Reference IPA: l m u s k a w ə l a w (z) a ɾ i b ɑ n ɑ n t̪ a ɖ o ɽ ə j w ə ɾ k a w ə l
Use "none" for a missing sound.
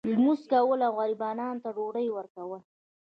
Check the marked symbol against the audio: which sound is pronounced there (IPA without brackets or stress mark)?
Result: ɣ